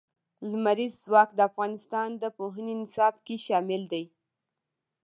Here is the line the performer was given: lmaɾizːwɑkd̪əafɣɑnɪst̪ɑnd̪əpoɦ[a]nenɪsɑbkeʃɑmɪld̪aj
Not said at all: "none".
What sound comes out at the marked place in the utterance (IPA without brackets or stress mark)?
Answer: ə